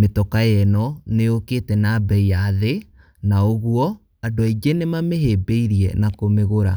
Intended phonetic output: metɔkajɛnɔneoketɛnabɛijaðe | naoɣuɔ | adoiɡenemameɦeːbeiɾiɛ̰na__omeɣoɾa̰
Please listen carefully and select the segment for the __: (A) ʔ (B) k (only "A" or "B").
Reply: B